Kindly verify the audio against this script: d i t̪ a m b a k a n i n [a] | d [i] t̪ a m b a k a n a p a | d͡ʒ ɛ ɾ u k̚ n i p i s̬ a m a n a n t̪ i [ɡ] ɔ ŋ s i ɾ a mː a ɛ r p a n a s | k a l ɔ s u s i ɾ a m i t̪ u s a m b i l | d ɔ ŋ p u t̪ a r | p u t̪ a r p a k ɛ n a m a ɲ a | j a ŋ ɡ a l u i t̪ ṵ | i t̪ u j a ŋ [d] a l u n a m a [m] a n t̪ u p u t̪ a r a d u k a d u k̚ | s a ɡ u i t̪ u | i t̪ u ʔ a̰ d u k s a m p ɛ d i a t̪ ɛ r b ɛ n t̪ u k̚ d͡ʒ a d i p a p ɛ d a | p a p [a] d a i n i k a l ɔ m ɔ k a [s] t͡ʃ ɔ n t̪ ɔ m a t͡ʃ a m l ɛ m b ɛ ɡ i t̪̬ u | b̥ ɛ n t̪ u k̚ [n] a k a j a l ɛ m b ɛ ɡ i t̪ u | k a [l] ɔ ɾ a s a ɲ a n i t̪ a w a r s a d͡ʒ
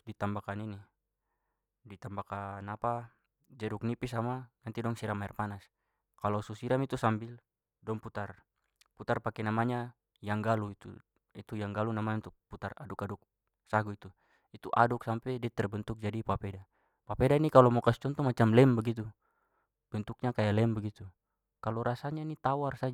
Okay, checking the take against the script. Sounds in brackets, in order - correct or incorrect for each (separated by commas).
incorrect, correct, incorrect, incorrect, incorrect, incorrect, correct, incorrect, correct